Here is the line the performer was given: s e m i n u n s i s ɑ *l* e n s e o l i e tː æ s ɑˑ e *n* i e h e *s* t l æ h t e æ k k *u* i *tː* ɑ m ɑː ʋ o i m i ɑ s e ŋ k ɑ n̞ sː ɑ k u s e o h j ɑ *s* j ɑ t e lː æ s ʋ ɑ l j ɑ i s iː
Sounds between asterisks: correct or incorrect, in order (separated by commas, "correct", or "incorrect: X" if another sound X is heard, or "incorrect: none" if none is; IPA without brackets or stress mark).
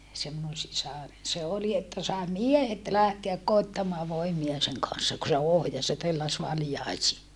incorrect: r, incorrect: m, incorrect: none, incorrect: o, correct, correct